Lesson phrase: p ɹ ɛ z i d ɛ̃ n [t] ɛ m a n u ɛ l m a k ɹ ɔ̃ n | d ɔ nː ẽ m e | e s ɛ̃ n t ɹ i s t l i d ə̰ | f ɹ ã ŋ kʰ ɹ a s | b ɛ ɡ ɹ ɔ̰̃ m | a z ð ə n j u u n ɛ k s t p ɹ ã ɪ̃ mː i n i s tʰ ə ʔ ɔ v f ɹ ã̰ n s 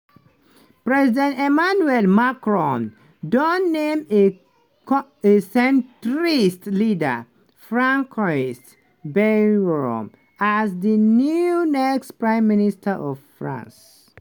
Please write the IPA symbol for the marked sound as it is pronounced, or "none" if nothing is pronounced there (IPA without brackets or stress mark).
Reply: t